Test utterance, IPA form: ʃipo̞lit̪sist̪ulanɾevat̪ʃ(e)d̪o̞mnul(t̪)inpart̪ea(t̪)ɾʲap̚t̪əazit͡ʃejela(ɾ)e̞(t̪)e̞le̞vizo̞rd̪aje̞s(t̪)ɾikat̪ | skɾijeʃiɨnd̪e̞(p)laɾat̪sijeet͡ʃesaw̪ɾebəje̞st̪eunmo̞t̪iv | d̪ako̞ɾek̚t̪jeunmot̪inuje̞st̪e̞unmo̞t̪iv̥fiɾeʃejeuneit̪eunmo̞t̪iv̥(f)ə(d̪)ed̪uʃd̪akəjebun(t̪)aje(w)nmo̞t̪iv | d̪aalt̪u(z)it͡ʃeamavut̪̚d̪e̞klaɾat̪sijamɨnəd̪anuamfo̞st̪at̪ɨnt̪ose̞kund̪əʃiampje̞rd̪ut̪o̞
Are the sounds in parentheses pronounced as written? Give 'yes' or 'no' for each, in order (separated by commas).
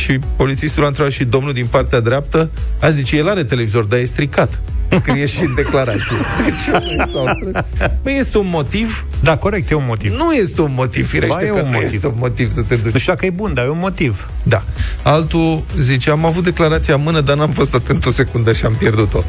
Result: no, no, no, yes, yes, yes, no, no, no, no, no, yes